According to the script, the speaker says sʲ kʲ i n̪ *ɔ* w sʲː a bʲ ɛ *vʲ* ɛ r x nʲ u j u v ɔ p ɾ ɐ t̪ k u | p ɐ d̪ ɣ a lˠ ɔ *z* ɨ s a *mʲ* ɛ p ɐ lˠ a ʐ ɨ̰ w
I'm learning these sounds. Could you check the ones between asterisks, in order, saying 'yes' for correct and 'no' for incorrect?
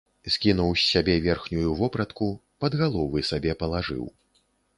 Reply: no, yes, no, no

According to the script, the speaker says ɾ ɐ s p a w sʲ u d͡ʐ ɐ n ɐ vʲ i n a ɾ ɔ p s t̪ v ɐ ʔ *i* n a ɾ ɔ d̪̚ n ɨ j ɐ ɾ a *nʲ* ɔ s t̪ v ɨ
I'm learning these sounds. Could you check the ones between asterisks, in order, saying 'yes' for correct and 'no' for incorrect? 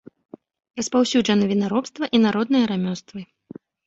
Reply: yes, no

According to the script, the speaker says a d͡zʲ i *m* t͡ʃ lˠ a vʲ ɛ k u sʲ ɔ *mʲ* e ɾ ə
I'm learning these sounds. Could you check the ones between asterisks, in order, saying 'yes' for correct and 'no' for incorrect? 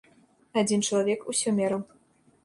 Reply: no, yes

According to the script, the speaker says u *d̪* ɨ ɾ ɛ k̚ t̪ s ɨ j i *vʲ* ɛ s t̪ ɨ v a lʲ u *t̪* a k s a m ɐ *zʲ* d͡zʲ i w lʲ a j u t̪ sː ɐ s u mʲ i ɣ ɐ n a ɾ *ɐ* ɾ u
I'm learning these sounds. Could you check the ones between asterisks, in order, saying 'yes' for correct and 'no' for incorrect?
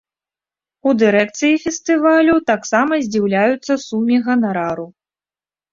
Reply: yes, no, yes, yes, no

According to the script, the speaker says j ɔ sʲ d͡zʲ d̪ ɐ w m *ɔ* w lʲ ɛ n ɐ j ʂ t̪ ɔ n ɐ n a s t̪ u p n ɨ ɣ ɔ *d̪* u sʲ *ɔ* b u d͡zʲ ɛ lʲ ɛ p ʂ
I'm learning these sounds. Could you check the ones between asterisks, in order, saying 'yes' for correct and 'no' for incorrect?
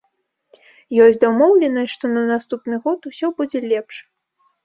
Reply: yes, no, yes

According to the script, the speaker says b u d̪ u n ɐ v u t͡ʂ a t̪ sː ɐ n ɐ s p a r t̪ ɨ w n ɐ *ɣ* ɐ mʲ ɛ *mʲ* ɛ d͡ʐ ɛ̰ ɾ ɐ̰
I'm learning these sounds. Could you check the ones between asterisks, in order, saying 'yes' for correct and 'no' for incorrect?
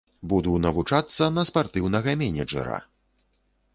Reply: yes, no

